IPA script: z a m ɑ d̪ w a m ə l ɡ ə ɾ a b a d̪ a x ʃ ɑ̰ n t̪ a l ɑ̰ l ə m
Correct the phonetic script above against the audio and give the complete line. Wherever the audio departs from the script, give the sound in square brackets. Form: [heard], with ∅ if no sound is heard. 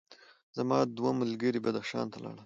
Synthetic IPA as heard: z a m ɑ d̪ w a m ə l ɡ ə ɾ [i] b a d̪ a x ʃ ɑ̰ n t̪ a l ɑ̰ [ɽ] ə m